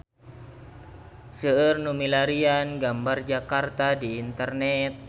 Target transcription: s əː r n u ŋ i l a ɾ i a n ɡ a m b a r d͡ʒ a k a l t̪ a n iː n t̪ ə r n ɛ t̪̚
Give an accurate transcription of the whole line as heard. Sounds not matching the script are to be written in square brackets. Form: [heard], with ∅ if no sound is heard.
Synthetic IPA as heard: s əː r n u [m] i l a ɾ i a n ɡ a m b a r d͡ʒ a k a [r] t̪ a [d] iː n t̪ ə r n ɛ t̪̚

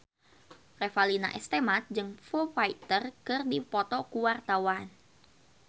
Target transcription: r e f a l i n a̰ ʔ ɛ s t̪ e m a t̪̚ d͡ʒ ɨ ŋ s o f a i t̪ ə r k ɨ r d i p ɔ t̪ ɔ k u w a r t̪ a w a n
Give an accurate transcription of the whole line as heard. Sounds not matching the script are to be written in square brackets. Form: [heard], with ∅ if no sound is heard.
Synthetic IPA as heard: r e f a l i n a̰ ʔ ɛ s t̪ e m a t̪̚ d͡ʒ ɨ ŋ [f] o f a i t̪ ə r k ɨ r d i p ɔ t̪ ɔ k u w a r t̪ a w a n

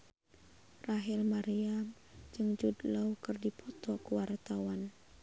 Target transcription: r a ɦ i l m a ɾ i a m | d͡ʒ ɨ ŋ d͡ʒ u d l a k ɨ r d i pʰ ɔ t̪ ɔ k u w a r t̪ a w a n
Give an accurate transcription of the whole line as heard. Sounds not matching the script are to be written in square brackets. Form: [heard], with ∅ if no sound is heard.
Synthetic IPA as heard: r a ɦ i l m a ɾ i a m | d͡ʒ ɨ ŋ d͡ʒ u d l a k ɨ r d i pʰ ɔ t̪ ɔ k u w a r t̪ a w a n

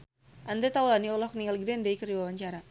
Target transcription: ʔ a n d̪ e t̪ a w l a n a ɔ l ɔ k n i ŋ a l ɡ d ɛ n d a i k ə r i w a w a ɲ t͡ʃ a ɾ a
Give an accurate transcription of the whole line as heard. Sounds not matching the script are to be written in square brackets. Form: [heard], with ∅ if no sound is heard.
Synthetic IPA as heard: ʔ a n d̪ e t̪ a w l a n [i] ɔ l ɔ k n i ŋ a l ɡ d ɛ n d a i k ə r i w a w a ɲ t͡ʃ a ɾ a

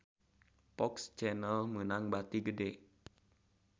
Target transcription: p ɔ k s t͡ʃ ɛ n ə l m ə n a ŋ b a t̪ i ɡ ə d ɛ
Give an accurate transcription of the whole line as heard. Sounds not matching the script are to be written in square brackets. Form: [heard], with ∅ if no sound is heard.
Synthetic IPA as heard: p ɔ k s t͡ʃ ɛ n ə l m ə n a ŋ b a t̪ i ɡ ə d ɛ

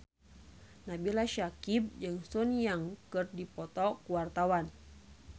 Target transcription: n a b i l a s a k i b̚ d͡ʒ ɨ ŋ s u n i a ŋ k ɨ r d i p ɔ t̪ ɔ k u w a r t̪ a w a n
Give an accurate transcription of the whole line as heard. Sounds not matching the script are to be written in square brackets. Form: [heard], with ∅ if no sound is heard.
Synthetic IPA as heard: n a b i l a [ʃ] a k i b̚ d͡ʒ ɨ ŋ s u n [j] a ŋ k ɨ r d i p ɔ t̪ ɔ k u w a r t̪ a w a n

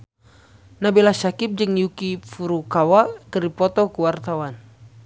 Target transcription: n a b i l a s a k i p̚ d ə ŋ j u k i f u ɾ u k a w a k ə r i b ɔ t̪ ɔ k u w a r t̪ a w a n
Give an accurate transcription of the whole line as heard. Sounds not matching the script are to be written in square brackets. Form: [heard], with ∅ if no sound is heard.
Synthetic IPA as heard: n a b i l a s a k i p̚ [d͡ʒ] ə ŋ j u k i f u ɾ u k a w a k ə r i [p] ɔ t̪ ɔ k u w a r t̪ a w a n

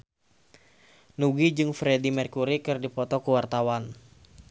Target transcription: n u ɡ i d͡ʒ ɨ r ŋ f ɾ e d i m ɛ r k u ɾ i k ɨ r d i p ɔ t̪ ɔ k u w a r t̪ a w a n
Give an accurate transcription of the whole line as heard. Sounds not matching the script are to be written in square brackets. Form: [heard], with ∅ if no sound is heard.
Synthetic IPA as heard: n u ɡ i d͡ʒ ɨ [∅] ŋ f ɾ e d i m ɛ r k u ɾ i k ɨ r d i p ɔ t̪ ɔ k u w a r t̪ a w a n

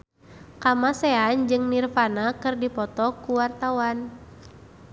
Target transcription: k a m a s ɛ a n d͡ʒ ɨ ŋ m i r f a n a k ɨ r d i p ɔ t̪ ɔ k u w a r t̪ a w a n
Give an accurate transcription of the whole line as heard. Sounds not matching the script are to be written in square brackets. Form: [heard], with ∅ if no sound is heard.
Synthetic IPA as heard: k a m a s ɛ a n d͡ʒ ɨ ŋ [n] i r f a n a k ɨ r d i p ɔ t̪ ɔ k u w a r t̪ a w a n

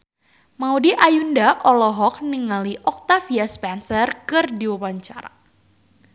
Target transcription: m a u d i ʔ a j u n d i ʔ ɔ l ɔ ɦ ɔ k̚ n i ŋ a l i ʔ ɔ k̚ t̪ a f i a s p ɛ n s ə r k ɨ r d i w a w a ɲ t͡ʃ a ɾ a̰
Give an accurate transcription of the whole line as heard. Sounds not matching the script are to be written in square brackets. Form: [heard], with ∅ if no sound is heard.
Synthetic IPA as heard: m a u d i ʔ a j u n d [a] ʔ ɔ l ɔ ɦ ɔ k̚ n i ŋ a l i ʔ ɔ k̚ t̪ a f i a s p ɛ n s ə r k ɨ r d i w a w a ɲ t͡ʃ a ɾ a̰

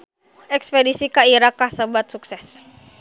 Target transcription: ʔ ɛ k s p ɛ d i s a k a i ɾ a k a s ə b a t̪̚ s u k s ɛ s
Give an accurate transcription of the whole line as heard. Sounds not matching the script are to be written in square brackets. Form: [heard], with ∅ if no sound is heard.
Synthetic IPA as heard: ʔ ɛ k s p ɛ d i s [i] k a i ɾ a k a s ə b a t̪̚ s u k s ɛ s

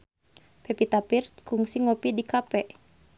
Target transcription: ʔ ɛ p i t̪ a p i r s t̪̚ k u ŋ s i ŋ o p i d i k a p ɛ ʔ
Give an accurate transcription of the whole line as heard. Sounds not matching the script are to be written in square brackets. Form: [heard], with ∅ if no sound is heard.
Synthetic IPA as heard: [p] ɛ p i t̪ a p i r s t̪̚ k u ŋ s i ŋ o p i d i k a p ɛ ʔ

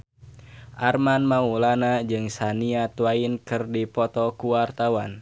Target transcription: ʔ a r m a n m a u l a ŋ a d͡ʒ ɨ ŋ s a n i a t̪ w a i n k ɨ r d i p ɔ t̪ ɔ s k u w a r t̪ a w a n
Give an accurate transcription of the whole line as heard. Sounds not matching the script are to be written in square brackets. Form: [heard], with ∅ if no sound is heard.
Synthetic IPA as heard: ʔ a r m a n m a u l a [n] a d͡ʒ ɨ ŋ s a n i a t̪ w a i n k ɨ r d i p ɔ t̪ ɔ [∅] k u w a r t̪ a w a n

